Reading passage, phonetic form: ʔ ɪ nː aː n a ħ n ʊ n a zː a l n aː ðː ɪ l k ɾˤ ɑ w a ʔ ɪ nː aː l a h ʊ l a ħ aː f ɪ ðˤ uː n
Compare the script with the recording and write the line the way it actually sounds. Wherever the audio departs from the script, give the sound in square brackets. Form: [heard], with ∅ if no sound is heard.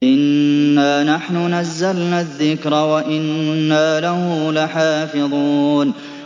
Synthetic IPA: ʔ ɪ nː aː n a ħ n ʊ n a zː a l n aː ðː ɪ [∅] k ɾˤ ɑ w a ʔ ɪ nː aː l a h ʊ l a ħ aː f ɪ ðˤ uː n